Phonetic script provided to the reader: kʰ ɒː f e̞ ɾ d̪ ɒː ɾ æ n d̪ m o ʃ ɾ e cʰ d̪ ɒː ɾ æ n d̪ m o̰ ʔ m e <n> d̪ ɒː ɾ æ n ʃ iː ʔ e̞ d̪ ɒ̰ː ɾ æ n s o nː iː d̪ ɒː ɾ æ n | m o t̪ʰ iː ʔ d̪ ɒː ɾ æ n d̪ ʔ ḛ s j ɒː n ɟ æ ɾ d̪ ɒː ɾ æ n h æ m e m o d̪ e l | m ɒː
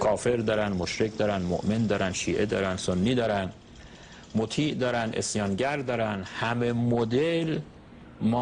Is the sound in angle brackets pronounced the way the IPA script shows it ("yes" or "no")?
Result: yes